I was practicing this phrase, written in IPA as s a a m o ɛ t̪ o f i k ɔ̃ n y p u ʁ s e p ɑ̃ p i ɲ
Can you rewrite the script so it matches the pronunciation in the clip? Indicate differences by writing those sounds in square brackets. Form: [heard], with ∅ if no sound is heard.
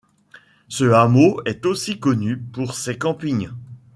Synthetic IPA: s [ə] a m o ɛ t̪ o [s] i k [ɔ] n y p u ʁ s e [k] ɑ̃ p i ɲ